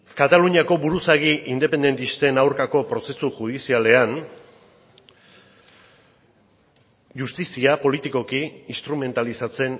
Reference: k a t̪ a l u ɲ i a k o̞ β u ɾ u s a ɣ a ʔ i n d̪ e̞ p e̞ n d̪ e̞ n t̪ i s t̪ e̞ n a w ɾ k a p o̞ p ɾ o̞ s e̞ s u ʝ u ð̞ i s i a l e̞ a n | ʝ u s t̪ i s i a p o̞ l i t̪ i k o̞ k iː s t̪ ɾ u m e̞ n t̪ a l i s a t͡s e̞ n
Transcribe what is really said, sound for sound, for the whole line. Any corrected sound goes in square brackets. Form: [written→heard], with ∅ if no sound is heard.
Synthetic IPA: k a t̪ a l u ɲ i a k o̞ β u ɾ u s a ɣ [a→i] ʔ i n d̪ e̞ p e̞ n d̪ e̞ n t̪ i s t̪ e̞ n a w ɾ k a [p→k] o̞ p ɾ o̞ s e̞ s u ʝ u ð̞ i s i a l e̞ a n | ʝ u s t̪ i s i a p o̞ l i t̪ i k o̞ k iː s t̪ ɾ u m e̞ n t̪ a l i s a t͡s e̞ n